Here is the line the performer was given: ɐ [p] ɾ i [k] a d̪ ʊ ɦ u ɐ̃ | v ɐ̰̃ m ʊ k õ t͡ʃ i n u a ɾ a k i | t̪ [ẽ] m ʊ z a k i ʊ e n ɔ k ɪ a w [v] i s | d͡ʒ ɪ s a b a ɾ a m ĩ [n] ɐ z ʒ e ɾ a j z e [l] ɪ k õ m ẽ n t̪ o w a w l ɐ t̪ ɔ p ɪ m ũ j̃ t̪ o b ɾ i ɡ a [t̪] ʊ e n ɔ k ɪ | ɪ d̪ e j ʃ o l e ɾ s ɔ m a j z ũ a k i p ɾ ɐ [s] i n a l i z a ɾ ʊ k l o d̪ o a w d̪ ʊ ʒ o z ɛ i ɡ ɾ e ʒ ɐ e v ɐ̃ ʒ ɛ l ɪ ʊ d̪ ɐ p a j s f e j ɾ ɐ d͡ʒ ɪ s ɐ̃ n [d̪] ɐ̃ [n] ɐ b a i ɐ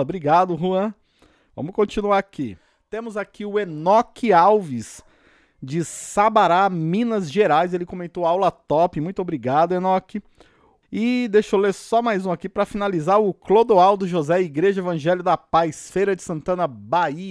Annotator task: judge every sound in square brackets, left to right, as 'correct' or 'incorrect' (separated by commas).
incorrect, incorrect, correct, correct, correct, correct, incorrect, incorrect, incorrect, correct